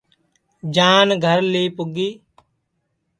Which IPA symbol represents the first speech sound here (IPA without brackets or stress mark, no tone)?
d͡ʒ